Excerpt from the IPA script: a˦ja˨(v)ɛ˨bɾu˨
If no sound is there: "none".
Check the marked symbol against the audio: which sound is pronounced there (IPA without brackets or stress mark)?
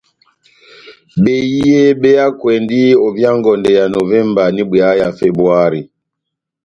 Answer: f